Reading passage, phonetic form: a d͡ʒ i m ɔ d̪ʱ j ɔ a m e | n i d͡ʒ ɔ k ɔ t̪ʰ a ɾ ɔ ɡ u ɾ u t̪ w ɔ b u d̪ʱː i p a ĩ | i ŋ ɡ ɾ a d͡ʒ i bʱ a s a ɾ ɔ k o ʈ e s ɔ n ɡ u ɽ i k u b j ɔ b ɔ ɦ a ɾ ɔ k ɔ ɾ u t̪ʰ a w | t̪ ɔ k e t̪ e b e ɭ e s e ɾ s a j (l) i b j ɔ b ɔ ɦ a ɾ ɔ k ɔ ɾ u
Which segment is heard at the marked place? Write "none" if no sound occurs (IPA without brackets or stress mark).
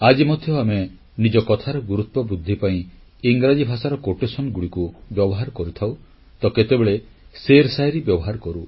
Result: ɾ